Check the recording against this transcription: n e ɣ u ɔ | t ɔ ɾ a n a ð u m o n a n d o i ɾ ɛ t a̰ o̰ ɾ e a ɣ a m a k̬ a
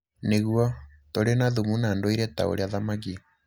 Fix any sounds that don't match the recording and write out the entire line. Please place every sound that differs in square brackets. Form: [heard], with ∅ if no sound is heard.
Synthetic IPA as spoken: n e ɣ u ɔ | t [o] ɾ [e] n a ð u m [u] n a n d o i ɾ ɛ t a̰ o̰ ɾ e a [ð] a m a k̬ [i]